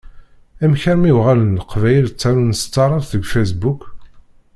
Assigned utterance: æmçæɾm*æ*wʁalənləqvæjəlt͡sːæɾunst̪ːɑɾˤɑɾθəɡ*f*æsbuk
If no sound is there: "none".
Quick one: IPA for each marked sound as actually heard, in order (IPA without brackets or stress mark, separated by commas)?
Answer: i, f